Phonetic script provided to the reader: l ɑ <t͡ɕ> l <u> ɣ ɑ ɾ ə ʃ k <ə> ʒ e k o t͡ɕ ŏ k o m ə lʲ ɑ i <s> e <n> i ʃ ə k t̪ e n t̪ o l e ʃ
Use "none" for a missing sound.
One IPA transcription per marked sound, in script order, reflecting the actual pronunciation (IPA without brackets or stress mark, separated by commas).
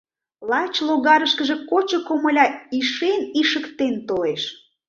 t͡ɕ, o, ə, ʃ, n